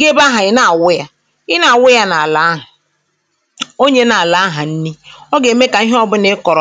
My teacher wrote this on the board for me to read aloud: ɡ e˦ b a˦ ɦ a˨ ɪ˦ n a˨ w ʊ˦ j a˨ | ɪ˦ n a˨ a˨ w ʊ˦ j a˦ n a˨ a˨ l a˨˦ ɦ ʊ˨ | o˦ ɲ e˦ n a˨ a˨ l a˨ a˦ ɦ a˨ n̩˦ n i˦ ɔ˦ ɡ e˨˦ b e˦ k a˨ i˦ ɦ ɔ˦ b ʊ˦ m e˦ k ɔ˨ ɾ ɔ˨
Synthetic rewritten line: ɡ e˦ b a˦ ɦ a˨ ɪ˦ n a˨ w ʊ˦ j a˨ | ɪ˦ n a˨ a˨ w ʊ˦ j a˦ n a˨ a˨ l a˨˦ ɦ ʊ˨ | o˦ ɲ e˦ n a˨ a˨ l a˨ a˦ ɦ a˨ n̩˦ n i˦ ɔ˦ ɡ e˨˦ m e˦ k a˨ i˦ ɦ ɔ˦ b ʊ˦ n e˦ k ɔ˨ ɾ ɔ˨